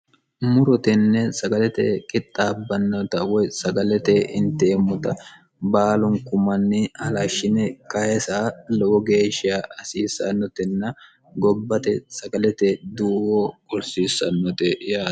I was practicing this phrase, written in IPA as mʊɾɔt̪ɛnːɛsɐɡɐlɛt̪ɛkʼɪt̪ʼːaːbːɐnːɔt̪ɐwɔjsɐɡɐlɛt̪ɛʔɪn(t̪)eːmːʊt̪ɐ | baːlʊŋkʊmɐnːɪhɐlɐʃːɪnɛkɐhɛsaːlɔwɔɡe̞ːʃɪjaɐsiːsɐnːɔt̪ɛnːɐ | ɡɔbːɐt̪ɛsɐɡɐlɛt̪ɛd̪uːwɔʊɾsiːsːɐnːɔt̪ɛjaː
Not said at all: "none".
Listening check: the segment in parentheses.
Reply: t̪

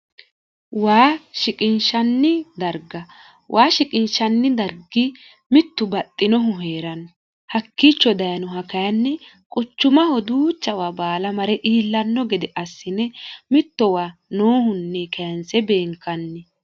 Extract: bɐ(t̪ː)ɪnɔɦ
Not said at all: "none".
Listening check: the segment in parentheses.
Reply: t̪ʼː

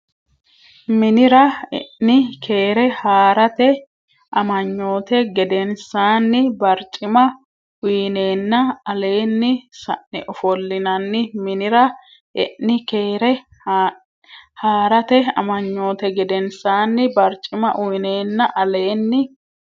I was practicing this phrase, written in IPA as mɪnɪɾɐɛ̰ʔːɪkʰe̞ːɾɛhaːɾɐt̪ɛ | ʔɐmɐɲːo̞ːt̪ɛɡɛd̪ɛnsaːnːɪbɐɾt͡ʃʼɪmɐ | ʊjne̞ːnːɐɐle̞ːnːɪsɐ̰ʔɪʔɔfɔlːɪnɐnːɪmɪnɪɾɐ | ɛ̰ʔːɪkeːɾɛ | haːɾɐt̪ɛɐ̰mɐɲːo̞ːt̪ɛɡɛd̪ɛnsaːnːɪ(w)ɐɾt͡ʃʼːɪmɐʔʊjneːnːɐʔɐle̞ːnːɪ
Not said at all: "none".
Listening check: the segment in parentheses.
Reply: b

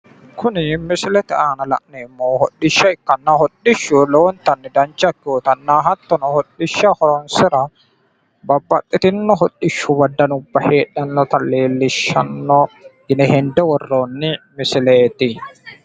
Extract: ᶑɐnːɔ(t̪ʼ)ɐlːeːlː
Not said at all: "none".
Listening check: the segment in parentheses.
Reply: t̪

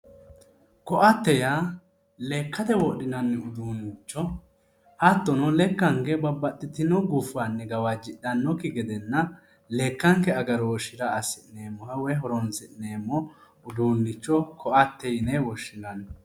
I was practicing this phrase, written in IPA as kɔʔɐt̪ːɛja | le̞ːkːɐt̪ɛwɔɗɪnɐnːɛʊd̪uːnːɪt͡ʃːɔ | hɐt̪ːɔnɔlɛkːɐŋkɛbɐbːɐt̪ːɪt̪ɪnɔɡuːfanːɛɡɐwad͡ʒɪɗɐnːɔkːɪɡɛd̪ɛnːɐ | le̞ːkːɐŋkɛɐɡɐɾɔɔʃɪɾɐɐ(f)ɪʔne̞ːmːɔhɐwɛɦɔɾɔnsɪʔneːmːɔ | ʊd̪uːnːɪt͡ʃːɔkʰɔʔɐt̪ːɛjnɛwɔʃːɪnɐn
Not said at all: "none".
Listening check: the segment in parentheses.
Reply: s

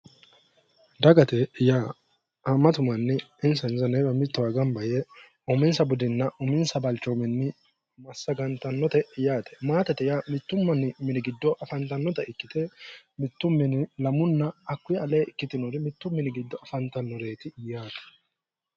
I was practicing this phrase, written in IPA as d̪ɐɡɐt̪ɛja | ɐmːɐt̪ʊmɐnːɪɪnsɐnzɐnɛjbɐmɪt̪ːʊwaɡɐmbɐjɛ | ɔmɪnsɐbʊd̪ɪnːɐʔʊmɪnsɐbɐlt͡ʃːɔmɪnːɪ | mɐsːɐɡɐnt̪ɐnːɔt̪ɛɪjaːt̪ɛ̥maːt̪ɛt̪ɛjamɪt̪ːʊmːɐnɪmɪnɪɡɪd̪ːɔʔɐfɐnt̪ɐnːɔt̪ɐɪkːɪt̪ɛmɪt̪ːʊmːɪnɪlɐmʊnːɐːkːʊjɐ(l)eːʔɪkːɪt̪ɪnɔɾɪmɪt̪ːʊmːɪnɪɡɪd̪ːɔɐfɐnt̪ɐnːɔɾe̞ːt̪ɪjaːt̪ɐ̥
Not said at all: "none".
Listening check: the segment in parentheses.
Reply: l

